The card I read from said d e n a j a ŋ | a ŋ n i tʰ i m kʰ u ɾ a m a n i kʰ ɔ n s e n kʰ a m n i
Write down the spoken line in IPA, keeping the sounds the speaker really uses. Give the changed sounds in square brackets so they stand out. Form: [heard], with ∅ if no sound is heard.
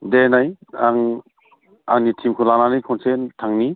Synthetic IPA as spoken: d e n a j a ŋ | a ŋ n i tʰ i m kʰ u [l] a [n] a n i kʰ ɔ n s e n [tʰ] a [ŋ] n i